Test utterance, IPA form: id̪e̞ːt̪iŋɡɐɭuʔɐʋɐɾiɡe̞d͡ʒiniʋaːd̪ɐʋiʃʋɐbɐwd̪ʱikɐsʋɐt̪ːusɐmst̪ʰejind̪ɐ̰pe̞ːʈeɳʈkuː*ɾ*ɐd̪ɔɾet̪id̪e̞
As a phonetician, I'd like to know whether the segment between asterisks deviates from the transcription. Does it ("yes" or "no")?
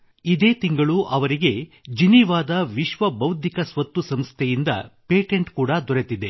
yes